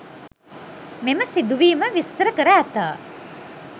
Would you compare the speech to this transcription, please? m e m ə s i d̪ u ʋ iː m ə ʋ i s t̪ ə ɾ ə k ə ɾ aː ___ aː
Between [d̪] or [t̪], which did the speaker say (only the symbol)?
t̪